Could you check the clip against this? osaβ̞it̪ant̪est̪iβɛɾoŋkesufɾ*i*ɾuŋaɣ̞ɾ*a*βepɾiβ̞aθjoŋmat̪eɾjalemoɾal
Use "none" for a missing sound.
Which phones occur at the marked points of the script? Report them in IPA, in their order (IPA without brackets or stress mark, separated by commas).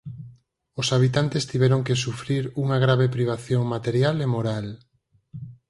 i, a